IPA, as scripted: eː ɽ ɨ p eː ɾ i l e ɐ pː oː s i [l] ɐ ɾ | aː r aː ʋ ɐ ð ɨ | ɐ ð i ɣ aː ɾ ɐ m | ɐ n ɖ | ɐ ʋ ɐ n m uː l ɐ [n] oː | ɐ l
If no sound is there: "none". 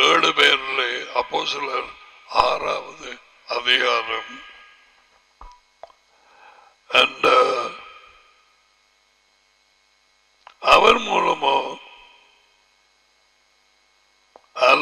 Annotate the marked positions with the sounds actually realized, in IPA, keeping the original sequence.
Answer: l, m

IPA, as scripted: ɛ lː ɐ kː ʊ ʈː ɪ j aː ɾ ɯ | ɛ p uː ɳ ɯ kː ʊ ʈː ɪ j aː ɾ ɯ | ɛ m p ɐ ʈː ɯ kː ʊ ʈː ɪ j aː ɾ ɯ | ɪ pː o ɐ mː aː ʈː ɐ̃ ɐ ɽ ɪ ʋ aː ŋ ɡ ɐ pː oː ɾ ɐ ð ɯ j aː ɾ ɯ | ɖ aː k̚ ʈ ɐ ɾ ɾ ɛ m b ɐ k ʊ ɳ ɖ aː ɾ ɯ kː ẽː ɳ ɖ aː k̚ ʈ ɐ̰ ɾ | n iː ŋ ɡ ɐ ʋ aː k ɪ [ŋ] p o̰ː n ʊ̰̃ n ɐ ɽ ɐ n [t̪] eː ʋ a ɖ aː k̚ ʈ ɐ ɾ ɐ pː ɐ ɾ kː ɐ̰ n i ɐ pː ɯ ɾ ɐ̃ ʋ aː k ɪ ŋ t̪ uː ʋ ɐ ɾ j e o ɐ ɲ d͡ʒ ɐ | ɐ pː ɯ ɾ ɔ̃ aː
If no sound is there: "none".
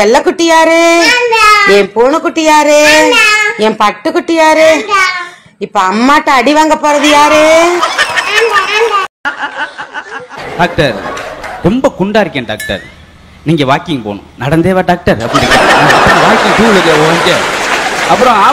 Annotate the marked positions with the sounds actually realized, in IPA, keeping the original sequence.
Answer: ŋ, d̪

